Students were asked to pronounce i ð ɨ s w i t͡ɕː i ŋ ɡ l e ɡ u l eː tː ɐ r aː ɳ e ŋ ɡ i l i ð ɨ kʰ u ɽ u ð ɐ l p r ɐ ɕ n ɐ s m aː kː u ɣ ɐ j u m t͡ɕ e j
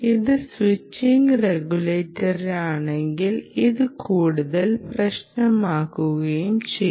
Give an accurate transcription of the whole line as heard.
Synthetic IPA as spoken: i ð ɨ s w i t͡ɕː i ŋ ɡ r e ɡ u l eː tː ɐ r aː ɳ e ŋ ɡ i l i ð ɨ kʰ uː ɽ u ð ɐ l p r ɐ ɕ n ɐ m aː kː u ɣ ɐ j u m t͡ɕ e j